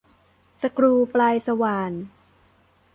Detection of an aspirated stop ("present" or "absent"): absent